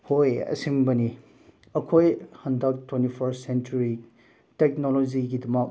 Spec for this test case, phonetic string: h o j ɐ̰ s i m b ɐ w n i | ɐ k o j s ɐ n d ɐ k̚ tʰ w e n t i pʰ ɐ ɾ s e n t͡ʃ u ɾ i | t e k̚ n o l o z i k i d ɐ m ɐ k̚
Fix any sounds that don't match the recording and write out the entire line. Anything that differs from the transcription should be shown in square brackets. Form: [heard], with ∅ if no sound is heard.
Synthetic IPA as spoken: h o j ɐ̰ s i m b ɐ [∅] n i | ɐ [kʰ] o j [h] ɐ n d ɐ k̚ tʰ w e n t i pʰ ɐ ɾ s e n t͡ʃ u ɾ i | t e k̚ n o l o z i [ɡ] i d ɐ m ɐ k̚